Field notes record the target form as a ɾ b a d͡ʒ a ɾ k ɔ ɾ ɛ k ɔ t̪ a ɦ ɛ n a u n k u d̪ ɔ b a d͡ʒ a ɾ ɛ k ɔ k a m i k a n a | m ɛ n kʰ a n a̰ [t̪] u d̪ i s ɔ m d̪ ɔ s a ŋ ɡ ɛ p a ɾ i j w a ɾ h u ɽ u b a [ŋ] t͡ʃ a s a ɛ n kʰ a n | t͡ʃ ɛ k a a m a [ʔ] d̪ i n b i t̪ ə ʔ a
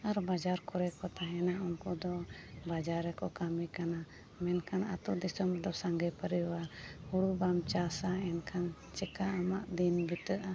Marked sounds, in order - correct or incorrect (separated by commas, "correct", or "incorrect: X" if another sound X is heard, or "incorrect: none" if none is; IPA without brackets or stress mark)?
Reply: correct, incorrect: m, correct